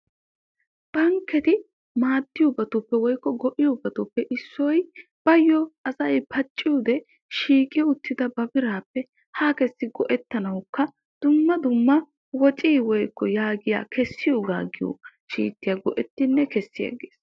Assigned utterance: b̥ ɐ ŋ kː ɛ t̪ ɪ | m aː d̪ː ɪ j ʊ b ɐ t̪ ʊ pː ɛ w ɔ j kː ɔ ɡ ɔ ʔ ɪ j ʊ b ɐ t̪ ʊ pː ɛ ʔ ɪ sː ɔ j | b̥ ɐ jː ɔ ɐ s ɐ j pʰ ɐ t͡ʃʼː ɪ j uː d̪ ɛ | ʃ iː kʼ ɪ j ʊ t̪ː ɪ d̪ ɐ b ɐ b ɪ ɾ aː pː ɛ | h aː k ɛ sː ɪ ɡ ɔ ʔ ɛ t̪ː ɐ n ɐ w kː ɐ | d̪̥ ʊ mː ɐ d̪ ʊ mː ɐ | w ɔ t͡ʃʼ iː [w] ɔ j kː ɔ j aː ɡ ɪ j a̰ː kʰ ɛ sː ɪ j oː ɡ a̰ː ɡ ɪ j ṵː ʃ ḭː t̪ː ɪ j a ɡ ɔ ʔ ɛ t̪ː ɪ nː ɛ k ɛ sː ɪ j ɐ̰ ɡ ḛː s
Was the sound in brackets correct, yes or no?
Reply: yes